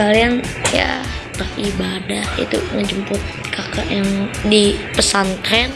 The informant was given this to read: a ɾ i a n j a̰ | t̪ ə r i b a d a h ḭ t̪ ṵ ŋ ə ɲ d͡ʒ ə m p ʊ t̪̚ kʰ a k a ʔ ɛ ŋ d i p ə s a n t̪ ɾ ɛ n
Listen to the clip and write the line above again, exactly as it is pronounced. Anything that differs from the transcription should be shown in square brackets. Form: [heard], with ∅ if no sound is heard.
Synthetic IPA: a [l] i a n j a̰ | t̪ ə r i b a d a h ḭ t̪ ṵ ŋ ə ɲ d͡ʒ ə m p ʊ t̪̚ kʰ a k a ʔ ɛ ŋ d i p ə s a n t̪ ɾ ɛ n